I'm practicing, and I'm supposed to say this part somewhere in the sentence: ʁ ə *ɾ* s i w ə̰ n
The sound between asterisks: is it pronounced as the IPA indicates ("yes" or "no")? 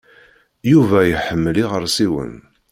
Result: yes